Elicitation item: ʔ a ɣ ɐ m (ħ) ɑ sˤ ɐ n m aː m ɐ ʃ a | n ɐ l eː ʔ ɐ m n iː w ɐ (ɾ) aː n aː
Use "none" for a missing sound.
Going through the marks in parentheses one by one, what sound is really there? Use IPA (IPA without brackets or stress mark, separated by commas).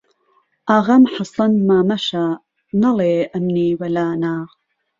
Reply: ħ, l